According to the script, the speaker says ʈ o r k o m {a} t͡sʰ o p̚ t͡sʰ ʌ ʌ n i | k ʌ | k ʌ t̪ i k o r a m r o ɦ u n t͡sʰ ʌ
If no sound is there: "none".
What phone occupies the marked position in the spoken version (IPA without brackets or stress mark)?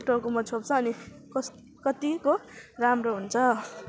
ʌ